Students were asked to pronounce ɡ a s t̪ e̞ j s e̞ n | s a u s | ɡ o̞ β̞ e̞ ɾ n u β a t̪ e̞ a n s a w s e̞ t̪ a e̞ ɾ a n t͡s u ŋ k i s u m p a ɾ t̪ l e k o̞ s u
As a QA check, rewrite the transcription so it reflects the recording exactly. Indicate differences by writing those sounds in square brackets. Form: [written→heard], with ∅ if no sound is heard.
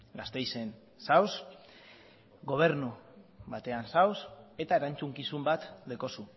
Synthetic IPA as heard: ɡ a s t̪ e̞ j s e̞ n | s a [u→w] s | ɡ o̞ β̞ e̞ ɾ n u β a t̪ e̞ a n s a w s e̞ t̪ a e̞ ɾ a n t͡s u ŋ k i s u m [p→b] a [ɾ→∅] t̪ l e k o̞ s u